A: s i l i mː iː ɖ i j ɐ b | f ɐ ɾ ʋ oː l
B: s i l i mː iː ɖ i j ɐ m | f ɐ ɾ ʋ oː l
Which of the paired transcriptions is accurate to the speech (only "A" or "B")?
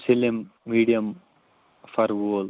B